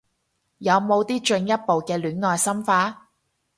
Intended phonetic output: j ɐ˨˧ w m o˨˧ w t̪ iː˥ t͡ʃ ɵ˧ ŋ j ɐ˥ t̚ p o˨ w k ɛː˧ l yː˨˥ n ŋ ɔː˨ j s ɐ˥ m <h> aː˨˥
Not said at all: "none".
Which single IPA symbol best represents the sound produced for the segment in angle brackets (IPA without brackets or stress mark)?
f